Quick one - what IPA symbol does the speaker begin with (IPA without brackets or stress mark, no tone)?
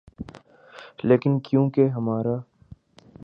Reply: l